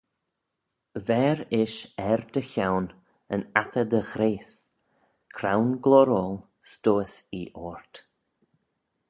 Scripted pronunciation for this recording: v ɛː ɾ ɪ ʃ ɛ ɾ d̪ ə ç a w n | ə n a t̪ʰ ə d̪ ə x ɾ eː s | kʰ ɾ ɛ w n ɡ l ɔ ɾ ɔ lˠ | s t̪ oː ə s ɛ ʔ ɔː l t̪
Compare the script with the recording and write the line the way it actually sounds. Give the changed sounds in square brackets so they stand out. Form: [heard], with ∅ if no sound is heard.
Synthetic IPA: v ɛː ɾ ɪ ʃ ɛ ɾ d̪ ə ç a w n | ə n a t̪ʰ ə d̪ ə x ɾ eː s | kʰ ɾ [a] w n ɡ l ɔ ɾ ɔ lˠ | s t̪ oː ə s [i] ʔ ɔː [ɹ] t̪